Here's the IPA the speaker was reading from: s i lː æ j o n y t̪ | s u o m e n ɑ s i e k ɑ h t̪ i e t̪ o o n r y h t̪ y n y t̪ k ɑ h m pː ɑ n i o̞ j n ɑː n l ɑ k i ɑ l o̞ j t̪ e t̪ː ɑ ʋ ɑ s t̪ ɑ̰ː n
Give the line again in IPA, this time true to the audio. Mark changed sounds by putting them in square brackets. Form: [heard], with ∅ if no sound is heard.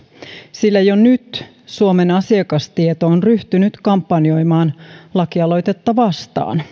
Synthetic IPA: s i lː æ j o n y t̪ | s u o m e n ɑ s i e k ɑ [s] t̪ i e t̪ o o n r y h t̪ y n y t̪ k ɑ [∅] m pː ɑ n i o̞ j [m] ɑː n l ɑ k i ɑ l o̞ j t̪ e t̪ː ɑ ʋ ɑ s t̪ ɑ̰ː n